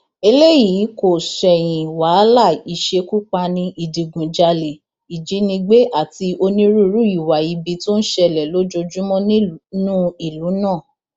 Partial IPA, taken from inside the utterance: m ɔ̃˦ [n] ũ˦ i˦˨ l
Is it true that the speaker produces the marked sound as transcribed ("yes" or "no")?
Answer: yes